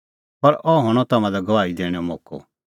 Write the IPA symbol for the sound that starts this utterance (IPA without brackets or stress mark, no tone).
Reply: p